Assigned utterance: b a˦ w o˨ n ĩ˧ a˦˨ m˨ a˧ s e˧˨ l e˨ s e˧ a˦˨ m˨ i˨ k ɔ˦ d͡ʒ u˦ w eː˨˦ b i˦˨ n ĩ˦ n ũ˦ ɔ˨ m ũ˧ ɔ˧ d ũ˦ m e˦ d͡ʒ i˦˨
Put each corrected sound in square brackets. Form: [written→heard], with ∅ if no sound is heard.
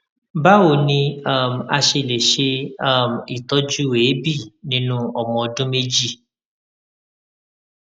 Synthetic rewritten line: b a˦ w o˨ n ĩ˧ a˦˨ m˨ a˧ [s→ʃ] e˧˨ l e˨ [s→ʃ] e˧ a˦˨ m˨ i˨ [k→t] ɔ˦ d͡ʒ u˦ w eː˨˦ b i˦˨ n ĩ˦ n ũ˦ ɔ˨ m [ũ˧→ɔ̃˧] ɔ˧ d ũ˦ m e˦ d͡ʒ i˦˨